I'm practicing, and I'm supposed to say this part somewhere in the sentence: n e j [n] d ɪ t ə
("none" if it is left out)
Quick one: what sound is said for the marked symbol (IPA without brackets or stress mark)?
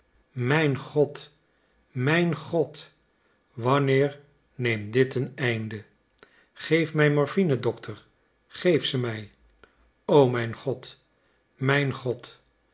m